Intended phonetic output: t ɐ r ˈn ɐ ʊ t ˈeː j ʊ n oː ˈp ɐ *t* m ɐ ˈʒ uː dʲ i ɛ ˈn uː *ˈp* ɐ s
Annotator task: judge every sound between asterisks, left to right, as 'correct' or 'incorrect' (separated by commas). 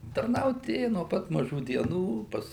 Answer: correct, correct